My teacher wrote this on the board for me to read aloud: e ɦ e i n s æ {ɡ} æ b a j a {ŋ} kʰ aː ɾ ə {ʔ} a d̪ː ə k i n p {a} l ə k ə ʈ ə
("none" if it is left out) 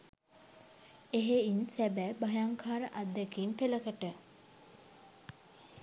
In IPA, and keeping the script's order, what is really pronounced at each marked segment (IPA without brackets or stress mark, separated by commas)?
b, ŋ, ʔ, e